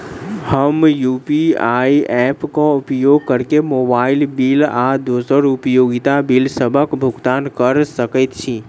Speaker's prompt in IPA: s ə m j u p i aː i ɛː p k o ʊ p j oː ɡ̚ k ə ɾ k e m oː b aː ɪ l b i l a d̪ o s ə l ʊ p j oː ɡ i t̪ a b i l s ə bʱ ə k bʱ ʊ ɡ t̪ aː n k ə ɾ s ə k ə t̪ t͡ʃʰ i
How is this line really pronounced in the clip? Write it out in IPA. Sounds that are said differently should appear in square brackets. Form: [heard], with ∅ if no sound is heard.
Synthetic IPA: [h] ə m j u p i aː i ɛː p k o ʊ p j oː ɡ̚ k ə ɾ k e m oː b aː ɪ l b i l a d̪ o s ə [ɾ] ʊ p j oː ɡ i t̪ a b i l s ə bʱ ə k bʱ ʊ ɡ t̪ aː n k ə ɾ s ə k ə t̪ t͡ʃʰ i